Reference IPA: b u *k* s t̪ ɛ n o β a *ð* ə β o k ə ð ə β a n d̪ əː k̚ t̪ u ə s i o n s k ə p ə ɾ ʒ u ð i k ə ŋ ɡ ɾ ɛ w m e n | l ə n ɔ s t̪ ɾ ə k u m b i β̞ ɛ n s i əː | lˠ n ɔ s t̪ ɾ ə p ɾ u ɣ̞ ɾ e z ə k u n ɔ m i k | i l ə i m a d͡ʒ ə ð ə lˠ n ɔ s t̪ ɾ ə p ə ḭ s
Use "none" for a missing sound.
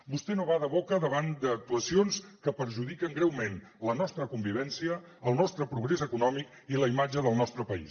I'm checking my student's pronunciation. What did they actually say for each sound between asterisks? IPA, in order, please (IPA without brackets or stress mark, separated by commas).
none, ð